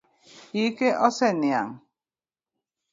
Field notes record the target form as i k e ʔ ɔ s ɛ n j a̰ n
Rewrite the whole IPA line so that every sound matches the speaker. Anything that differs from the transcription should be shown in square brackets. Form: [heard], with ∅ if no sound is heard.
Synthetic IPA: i k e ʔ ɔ s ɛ n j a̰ [ŋ]